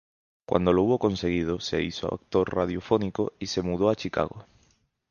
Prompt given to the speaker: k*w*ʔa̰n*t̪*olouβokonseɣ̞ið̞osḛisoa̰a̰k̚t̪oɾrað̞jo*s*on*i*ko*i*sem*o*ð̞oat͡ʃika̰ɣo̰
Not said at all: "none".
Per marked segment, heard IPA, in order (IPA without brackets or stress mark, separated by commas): w, d̪, f, i, i, u